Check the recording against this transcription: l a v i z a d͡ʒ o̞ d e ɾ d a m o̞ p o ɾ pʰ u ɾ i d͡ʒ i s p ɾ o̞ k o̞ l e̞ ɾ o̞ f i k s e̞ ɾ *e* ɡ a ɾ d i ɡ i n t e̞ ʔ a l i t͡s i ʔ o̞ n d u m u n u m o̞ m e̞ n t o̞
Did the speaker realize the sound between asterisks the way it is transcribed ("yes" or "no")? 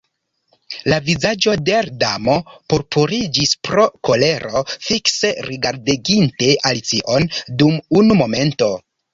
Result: no